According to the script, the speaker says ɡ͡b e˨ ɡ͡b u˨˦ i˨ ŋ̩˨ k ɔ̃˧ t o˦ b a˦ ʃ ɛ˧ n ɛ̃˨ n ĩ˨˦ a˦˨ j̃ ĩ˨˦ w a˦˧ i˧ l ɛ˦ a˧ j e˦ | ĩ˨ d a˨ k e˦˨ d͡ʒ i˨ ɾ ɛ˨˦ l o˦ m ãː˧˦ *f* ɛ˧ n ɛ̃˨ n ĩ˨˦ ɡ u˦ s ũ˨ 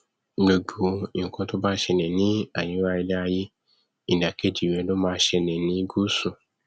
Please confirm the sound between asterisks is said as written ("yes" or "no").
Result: no